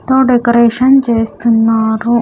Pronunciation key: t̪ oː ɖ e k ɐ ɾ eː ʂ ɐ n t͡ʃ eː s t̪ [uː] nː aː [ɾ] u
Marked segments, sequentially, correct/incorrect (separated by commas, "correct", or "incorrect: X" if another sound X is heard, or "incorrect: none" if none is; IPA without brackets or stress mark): incorrect: u, correct